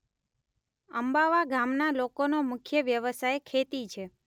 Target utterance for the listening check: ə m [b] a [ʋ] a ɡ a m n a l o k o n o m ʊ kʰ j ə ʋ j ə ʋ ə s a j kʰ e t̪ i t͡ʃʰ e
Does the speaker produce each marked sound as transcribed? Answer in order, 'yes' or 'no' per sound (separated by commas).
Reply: yes, yes